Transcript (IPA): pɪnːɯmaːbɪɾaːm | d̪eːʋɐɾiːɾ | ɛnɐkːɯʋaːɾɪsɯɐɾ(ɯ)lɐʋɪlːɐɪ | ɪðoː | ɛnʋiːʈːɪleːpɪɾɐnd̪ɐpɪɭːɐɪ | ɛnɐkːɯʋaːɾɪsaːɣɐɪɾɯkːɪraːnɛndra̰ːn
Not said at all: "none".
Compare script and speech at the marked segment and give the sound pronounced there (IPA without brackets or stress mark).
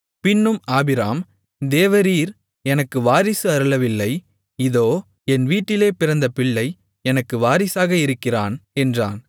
ɯ